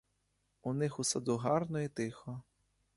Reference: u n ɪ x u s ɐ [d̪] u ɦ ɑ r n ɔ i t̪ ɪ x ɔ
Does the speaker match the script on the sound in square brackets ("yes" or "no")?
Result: yes